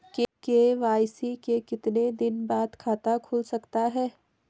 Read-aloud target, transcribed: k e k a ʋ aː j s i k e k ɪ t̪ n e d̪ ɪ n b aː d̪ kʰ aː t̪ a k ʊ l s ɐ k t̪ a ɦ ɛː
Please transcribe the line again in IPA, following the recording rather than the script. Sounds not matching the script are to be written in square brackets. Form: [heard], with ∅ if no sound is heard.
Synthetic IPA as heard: k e k [e] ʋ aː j s i k e k ɪ t̪ n e d̪ ɪ n b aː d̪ kʰ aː t̪ a [kʰ] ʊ l s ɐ k t̪ a ɦ ɛː